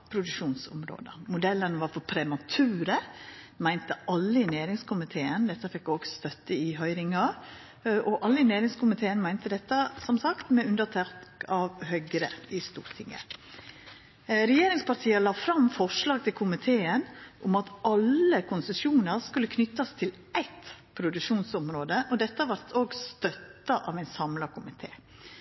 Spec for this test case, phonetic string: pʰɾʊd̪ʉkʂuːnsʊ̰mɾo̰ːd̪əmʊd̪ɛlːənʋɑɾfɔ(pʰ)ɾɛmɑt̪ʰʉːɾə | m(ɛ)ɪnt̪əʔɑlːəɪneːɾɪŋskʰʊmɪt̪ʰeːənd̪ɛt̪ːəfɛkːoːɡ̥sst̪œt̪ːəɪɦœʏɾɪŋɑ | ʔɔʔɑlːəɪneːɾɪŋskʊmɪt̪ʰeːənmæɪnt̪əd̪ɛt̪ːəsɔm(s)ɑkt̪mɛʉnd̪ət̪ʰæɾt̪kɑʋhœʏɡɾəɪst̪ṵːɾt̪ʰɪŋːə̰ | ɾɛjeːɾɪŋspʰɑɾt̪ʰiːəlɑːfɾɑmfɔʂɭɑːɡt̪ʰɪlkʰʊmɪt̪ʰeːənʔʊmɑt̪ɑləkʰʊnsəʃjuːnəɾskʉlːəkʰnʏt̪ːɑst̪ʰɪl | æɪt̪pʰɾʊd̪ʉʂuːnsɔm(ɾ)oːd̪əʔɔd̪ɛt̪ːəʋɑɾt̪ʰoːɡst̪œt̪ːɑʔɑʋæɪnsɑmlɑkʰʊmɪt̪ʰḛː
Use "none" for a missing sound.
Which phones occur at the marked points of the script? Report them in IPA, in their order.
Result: pʰ, æ, s, ɾ

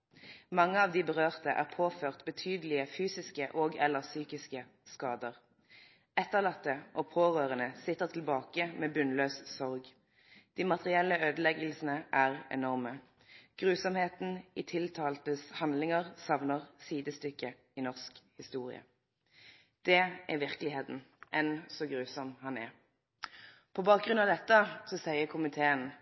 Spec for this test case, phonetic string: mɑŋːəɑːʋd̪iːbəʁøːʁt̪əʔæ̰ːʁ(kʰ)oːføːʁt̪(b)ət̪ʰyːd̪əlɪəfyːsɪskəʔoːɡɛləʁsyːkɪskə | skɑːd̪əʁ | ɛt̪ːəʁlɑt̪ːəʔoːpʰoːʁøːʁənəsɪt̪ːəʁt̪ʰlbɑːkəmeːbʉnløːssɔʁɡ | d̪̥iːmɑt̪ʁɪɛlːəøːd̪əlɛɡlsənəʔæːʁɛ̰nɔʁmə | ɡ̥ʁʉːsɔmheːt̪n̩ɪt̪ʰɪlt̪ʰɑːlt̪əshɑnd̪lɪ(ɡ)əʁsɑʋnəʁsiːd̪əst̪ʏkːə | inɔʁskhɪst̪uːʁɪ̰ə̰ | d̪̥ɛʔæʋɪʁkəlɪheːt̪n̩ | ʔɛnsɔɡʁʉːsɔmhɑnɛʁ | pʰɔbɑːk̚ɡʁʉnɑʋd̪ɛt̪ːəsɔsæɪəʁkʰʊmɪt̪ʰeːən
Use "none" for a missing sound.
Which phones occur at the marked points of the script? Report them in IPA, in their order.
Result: pʰ, b, ŋ

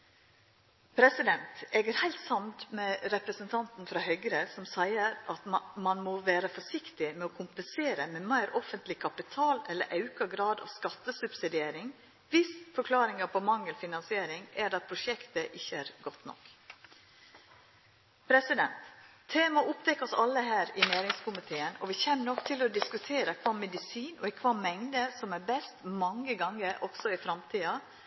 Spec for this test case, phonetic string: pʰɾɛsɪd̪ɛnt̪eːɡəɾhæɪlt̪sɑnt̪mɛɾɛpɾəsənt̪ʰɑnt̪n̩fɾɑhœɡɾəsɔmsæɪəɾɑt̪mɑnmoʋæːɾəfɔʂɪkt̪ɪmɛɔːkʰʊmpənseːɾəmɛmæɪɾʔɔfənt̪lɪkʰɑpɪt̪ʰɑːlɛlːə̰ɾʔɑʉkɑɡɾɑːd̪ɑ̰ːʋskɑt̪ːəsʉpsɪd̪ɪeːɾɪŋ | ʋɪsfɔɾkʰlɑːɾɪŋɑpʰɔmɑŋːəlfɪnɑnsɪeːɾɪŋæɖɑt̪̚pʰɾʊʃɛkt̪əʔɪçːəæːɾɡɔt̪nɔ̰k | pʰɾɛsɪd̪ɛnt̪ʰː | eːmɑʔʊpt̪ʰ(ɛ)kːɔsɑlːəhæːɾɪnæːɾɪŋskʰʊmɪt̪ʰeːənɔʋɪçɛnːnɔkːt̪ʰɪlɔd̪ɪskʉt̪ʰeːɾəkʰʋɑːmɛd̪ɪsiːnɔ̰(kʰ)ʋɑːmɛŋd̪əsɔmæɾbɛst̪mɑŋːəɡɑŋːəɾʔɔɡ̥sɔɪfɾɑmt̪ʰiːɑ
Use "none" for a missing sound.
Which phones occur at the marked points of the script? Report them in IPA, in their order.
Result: ɛ, kʰ

